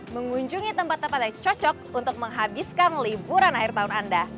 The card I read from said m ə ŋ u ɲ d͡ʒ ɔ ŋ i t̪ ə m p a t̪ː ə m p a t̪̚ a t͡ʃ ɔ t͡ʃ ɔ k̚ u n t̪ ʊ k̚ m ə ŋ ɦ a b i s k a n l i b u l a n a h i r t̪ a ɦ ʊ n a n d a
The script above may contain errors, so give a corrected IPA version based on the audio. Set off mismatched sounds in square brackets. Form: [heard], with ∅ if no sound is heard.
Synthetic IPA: m ə ŋ u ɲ d͡ʒ [u] ŋ i t̪ ə m p a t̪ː ə m p a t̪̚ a t͡ʃ ɔ t͡ʃ ɔ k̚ u n t̪ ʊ k̚ m ə ŋ ɦ a b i s k a n l i b u [ɾ] a n a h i r t̪ a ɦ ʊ n a n d a